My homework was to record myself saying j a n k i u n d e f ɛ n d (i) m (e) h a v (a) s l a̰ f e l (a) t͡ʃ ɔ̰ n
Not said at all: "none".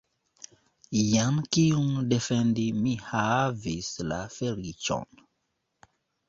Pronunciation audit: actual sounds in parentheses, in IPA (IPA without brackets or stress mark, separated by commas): i, i, i, i